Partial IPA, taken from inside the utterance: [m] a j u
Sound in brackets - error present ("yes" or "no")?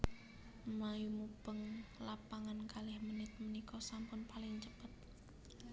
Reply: no